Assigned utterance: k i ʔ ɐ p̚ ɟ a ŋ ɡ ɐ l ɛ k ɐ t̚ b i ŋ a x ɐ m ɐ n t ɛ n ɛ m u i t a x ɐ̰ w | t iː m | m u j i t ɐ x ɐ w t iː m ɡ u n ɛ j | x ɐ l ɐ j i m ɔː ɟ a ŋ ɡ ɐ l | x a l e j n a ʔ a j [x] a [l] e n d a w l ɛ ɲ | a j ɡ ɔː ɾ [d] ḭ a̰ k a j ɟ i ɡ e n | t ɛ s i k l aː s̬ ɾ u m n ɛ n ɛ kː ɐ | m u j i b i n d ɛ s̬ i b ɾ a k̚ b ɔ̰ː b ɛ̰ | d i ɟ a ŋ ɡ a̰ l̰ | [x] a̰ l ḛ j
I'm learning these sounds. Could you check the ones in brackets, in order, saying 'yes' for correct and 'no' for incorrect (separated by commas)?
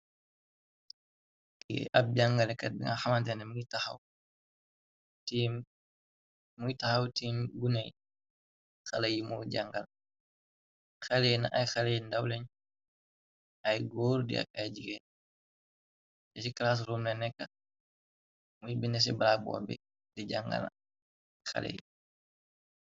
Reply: yes, yes, yes, yes